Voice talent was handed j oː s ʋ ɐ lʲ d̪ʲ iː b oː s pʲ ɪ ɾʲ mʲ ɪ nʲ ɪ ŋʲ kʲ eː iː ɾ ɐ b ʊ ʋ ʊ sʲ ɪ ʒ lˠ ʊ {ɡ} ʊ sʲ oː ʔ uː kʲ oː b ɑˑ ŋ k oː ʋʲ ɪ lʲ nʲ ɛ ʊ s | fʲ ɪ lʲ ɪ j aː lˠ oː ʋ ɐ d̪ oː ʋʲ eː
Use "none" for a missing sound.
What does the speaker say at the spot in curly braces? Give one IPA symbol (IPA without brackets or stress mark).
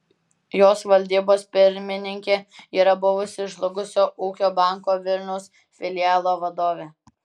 ɡ